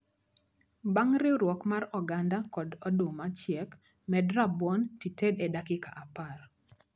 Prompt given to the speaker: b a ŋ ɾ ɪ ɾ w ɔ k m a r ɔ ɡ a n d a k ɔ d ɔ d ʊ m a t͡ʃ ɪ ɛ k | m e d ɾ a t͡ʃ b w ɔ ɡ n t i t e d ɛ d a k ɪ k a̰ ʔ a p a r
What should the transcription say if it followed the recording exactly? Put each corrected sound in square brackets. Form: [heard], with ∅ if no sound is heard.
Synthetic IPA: b a ŋ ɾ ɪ ɾ w ɔ k m a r ɔ ɡ a n d a k ɔ d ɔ d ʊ m a t͡ʃ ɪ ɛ k | m [ɛ] d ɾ a [∅] b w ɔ [∅] n t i t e d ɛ d a k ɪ k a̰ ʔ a p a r